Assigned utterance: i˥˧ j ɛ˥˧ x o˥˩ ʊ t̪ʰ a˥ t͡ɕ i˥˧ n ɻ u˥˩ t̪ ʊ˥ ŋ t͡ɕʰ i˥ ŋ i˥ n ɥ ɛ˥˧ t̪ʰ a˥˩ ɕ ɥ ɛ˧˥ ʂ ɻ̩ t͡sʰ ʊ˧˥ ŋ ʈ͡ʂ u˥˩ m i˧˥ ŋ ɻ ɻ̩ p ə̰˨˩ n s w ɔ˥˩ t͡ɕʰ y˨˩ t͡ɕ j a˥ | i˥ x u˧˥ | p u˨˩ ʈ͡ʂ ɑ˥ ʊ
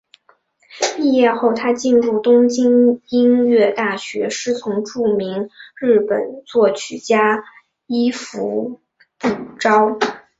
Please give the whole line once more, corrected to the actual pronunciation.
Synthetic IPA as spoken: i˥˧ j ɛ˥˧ x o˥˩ ʊ t̪ʰ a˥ t͡ɕ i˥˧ n ɻ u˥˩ t̪ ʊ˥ ŋ t͡ɕ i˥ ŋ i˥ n ɥ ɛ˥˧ t̪ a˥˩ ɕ ɥ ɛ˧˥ ʂ ɻ̩ t͡sʰ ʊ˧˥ ŋ ʈ͡ʂ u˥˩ m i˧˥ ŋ ɻ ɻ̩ p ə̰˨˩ n t͡s w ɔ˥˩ t͡ɕʰ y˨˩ t͡ɕ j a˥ | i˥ f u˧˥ | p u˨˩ ʈ͡ʂ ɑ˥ ʊ